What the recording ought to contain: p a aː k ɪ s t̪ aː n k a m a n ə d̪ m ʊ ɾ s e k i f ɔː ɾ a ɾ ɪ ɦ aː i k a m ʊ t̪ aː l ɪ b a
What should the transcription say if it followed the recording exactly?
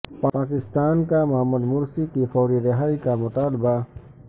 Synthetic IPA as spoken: p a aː k ɪ s t̪ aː n k a m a m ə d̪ m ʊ ɾ s i k i f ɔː ɾ i ɾ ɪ ɦ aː i k a m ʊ t̪ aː l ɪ b a